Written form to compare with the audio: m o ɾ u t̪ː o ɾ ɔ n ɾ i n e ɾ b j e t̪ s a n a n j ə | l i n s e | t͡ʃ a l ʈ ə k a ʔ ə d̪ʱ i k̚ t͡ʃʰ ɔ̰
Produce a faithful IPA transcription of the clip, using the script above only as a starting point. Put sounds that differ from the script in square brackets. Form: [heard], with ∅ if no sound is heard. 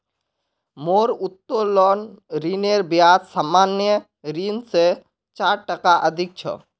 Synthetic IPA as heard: m o ɾ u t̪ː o [l] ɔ n ɾ i n e ɾ b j [a] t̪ s a [m] a n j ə | [ɾ] i n s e | t͡ʃ a [ɾ] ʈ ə k a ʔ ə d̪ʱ i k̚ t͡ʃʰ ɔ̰